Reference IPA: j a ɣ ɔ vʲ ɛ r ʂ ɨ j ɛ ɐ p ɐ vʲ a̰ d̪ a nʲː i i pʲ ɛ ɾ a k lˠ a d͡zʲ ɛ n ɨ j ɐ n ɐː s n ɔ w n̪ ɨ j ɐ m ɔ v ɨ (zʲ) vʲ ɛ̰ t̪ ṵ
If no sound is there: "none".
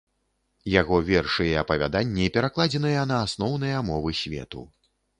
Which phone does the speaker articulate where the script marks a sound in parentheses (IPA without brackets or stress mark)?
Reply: sʲ